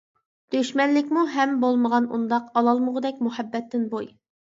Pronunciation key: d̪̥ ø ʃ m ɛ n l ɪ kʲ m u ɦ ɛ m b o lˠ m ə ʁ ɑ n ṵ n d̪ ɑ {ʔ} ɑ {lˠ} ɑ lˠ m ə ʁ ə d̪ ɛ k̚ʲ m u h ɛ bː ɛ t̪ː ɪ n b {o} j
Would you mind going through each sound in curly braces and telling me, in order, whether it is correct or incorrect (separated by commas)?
incorrect, correct, correct